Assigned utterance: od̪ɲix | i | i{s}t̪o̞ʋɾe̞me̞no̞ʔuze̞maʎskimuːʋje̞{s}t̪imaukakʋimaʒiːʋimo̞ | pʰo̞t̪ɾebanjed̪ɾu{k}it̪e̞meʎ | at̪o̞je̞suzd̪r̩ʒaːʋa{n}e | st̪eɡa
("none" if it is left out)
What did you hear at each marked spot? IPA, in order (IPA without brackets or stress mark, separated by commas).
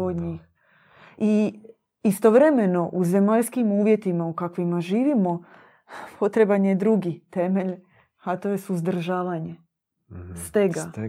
s, none, ɡ, ɲ